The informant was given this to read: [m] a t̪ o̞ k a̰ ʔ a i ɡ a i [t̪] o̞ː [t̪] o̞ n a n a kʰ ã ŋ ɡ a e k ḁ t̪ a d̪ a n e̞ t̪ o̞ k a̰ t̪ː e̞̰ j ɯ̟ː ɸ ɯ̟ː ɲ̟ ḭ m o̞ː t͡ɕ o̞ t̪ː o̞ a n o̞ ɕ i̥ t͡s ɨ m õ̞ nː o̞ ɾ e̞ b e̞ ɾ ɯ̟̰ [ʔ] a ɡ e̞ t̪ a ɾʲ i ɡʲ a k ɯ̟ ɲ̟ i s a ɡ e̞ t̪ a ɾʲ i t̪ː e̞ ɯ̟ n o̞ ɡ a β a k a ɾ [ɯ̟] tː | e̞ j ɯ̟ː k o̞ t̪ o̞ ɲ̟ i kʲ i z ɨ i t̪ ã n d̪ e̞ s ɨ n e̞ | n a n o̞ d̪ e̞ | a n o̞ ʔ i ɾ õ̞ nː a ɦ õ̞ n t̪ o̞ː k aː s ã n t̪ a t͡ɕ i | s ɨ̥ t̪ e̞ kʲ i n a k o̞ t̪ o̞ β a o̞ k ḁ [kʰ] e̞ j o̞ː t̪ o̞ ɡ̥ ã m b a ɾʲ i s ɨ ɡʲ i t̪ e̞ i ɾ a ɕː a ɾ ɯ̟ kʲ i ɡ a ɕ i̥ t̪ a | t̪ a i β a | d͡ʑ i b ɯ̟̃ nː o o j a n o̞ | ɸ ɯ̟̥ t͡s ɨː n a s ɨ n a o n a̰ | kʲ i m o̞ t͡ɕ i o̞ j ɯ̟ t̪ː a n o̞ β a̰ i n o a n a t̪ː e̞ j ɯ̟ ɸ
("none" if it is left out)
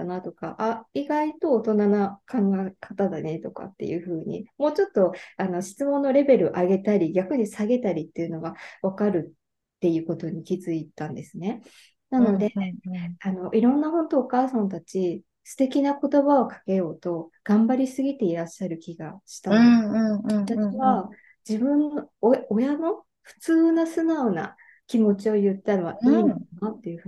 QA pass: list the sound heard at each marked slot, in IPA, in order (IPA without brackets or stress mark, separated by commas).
n, t̪, t̪, ʔ, ɯ̟, k